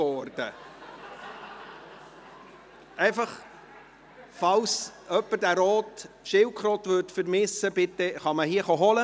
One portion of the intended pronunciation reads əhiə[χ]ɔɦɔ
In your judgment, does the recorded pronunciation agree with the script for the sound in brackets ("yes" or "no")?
yes